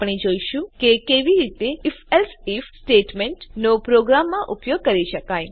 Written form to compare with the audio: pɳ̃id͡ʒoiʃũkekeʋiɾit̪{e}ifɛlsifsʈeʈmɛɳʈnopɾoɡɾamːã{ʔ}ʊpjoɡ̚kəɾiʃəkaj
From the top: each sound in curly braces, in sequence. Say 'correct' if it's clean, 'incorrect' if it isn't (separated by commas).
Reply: correct, correct